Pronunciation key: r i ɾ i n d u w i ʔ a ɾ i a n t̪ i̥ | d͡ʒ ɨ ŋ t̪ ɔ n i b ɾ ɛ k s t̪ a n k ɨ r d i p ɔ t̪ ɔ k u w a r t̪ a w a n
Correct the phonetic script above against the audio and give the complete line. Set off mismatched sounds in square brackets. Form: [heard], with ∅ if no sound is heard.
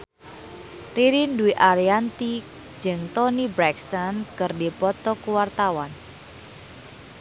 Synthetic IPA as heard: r i ɾ i n d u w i ʔ a ɾ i a n t̪ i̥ | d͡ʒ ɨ ŋ t̪ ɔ n i b ɾ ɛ k s t̪ a n k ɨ r d i p ɔ t̪ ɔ k u w a r t̪ a w a n